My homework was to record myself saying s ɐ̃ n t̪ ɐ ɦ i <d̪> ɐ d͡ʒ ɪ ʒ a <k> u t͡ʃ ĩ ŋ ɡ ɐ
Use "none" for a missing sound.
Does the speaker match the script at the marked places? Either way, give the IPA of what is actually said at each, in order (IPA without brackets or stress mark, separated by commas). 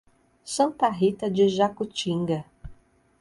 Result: t̪, k